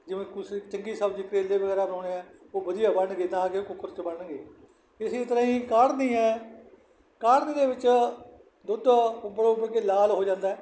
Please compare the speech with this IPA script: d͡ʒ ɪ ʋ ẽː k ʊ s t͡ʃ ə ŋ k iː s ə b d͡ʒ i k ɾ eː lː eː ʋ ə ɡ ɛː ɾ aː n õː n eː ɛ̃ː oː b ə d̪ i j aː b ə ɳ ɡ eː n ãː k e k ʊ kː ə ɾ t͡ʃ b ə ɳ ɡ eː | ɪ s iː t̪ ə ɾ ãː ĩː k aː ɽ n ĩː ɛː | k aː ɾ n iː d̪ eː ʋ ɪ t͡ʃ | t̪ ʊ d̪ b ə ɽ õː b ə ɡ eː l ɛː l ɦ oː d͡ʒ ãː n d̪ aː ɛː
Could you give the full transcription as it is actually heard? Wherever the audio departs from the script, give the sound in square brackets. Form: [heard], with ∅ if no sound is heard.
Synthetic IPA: d͡ʒ ɪ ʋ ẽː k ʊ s t͡ʃ ə ŋ [ɡ] iː s ə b d͡ʒ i k ɾ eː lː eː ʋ ə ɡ ɛː ɾ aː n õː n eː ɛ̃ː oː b ə d̪ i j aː b ə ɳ ɡ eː n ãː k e k ʊ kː ə ɾ t͡ʃ b ə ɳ ɡ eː | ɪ s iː t̪ ə ɾ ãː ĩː k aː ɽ n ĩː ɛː | k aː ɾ n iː d̪ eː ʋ ɪ t͡ʃ | [d̪] ʊ d̪ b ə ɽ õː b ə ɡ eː l [aː] l ɦ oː d͡ʒ ãː n d̪ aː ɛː